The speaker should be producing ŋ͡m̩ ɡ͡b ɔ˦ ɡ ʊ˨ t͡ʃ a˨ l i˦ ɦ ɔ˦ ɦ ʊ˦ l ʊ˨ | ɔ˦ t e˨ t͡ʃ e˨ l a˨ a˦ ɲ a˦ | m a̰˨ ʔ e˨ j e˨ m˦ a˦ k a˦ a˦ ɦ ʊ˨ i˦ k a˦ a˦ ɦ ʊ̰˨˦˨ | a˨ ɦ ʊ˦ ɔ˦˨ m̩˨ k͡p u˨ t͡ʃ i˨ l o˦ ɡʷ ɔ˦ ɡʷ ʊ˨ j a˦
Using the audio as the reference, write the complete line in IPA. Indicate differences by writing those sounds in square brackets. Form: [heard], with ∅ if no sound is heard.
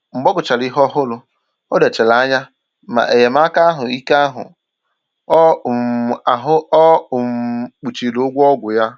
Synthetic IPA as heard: ŋ͡m̩ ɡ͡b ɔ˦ ɡ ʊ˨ t͡ʃ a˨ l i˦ ɦ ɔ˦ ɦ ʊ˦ l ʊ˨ | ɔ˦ [d] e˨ t͡ʃ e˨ l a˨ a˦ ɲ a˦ | m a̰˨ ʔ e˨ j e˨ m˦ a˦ k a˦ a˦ ɦ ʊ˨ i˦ k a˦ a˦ ɦ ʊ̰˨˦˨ | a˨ ɦ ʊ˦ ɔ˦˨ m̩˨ k͡p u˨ t͡ʃ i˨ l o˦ ɡʷ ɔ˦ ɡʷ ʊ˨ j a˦